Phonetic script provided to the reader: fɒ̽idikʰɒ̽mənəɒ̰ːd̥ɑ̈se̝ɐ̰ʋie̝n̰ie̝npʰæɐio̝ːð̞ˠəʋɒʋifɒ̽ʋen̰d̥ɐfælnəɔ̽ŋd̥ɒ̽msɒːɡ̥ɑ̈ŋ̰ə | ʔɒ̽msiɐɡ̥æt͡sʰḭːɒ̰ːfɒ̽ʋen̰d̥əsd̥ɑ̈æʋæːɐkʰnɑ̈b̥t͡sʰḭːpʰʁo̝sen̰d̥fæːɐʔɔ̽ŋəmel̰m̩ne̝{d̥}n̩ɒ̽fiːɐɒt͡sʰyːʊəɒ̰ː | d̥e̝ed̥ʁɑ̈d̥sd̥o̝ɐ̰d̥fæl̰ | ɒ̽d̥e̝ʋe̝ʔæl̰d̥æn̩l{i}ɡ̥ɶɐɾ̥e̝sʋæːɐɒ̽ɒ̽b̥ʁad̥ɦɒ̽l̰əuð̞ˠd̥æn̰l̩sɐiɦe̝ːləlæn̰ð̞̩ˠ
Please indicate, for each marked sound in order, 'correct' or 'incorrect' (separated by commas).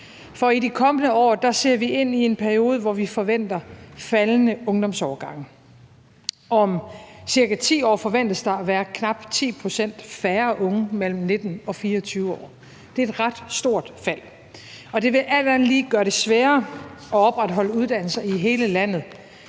correct, incorrect